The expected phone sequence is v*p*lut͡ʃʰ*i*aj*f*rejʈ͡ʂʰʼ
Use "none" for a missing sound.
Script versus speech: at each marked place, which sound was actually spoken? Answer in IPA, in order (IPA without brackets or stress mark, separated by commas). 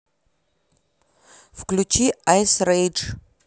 k, i, s